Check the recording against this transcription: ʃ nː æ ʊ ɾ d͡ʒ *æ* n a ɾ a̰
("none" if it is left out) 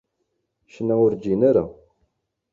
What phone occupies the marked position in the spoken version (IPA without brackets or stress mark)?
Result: i